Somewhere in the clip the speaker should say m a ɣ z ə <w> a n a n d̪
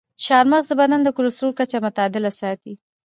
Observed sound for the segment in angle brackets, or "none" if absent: b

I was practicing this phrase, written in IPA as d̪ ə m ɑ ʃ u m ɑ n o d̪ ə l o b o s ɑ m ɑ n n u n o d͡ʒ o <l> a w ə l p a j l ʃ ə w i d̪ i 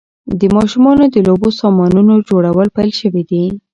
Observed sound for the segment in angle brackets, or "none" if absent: ɽ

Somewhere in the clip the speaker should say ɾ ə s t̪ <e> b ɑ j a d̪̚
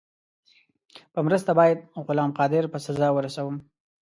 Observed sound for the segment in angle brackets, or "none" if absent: a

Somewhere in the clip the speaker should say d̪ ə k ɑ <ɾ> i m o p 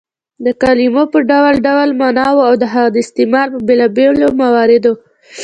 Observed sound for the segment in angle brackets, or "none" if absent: l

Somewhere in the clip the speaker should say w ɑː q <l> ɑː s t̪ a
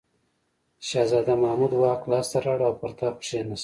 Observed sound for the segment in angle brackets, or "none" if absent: l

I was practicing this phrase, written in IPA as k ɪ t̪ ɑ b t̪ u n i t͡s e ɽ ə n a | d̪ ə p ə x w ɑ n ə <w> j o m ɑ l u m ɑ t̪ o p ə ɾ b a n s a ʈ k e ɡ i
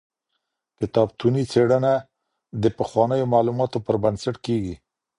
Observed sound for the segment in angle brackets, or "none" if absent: none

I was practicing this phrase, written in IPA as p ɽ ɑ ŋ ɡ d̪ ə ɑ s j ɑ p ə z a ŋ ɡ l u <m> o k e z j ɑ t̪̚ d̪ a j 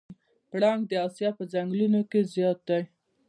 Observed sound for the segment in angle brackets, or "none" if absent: n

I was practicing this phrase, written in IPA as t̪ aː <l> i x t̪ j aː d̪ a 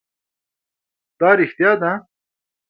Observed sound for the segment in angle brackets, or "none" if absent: ɾ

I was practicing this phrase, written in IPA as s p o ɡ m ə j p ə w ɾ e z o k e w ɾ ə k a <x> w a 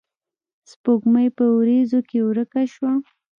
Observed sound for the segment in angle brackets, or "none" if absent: ʃ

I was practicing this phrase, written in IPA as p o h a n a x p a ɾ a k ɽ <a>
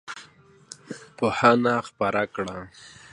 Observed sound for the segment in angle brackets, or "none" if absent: a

